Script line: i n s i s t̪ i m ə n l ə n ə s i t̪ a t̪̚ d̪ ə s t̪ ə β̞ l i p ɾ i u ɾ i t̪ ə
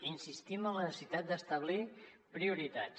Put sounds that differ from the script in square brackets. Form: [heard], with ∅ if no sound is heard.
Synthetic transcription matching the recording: i n s i s t̪ i m ə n l ə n ə s i t̪ a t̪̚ d̪ ə s t̪ ə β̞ l i p ɾ i u ɾ i t̪ [a]